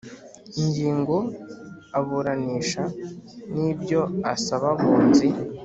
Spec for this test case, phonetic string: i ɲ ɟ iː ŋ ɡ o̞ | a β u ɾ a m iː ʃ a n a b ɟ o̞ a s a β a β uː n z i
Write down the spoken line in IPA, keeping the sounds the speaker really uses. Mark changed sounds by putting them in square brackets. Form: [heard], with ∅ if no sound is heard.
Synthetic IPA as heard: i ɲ ɟ iː ŋ ɡ o̞ | a β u ɾ a [n] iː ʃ a n [i] b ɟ o̞ a s a β a β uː n z i